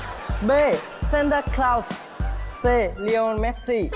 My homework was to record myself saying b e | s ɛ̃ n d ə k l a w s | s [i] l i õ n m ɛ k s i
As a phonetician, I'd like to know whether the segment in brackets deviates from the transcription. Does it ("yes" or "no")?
yes